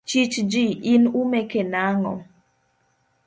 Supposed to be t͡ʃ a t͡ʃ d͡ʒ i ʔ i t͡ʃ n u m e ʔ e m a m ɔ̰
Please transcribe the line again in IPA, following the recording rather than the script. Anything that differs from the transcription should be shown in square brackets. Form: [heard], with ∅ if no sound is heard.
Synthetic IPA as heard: t͡ʃ [i] t͡ʃ d͡ʒ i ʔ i [∅] n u m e [k] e [n] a [ŋ] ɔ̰